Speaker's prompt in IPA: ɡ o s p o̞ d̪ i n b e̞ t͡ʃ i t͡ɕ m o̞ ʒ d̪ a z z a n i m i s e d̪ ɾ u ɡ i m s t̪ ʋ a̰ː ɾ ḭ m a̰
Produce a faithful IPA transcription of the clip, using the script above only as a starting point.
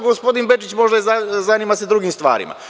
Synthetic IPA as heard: ɡ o s p o̞ d̪ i n b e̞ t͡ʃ i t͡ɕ m o̞ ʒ d̪ a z z a n i m a s e d̪ ɾ u ɡ i m s t̪ ʋ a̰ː ɾ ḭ m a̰